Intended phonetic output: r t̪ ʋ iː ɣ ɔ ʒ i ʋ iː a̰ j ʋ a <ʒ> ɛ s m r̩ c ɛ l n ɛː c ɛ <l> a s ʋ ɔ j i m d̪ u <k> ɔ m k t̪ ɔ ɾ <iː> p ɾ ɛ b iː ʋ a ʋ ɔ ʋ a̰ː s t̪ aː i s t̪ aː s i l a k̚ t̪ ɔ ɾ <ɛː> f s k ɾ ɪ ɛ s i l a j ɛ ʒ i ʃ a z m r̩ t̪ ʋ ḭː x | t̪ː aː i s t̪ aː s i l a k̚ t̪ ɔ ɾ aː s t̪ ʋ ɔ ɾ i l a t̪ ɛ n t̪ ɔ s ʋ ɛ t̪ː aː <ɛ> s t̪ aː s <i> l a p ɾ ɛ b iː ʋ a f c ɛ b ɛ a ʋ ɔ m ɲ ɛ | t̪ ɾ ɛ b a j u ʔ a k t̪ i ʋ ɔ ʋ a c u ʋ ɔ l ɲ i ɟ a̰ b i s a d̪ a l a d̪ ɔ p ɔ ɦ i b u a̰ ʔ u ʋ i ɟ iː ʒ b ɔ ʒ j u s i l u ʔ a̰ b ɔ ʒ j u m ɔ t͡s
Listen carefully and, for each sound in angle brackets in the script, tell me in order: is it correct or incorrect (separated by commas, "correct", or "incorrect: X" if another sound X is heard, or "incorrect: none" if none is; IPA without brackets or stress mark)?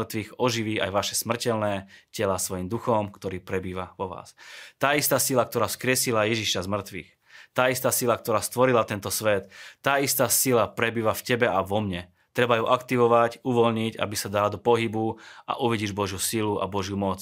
incorrect: ʃ, correct, incorrect: x, correct, incorrect: aː, incorrect: i, correct